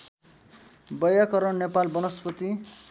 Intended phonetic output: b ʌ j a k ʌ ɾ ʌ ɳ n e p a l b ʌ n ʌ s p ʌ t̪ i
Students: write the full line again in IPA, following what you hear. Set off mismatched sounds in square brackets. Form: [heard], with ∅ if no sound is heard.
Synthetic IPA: b ʌ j a k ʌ ɾ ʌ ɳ n e p a l b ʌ n ʌ s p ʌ t̪ i

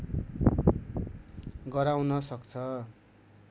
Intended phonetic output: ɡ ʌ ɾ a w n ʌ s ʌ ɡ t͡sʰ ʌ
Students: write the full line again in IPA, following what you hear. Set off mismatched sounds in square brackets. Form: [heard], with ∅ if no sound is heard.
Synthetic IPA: ɡ ʌ ɾ a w n ʌ s ʌ [k] t͡sʰ ʌ

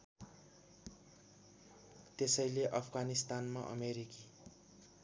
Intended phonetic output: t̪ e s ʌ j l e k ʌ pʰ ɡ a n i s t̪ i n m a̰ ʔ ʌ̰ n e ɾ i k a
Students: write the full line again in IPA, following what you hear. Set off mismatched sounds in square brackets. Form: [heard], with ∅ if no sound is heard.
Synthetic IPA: t̪ e s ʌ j l e [ʔ] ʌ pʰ ɡ a n i s t̪ [a] n m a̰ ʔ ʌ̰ [m] e ɾ i k [i]

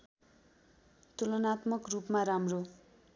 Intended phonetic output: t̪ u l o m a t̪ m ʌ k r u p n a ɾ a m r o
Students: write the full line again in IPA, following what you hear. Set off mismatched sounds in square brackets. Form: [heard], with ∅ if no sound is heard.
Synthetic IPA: t̪ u l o [n] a t̪ m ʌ k r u p [m] a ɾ a m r o

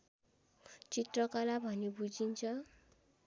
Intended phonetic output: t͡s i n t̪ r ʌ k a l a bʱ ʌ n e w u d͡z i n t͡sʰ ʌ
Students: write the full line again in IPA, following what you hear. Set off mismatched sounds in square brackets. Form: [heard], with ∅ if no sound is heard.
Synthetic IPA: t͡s i [∅] t̪ r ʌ k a l a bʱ ʌ n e [b] u d͡z i n t͡sʰ ʌ

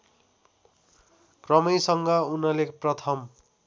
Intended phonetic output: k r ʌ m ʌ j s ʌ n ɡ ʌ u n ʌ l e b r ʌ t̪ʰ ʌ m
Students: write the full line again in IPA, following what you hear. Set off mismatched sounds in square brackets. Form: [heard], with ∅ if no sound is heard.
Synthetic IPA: k r ʌ m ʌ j s ʌ [ŋ] ɡ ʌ u n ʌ l e [p] r ʌ t̪ʰ ʌ m

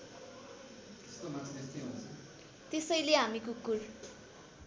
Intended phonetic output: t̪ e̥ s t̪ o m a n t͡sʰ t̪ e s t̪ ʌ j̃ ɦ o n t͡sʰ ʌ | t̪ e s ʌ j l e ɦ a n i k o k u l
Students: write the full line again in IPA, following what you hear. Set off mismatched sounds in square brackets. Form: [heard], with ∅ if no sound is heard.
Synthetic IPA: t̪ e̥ s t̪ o m a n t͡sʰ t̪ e s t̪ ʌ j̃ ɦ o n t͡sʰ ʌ | t̪ e s ʌ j l e ɦ a [m] i k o k u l

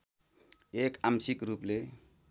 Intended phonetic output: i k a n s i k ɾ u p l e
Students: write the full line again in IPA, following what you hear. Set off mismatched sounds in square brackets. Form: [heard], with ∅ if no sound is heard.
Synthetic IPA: [e] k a [m] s i k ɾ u p l e

